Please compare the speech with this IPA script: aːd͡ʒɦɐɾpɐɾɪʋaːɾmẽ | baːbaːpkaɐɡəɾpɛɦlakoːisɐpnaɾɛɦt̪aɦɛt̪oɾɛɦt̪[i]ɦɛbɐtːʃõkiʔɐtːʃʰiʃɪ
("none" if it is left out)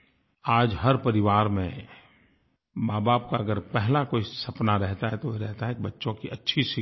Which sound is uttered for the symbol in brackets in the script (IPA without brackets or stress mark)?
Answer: a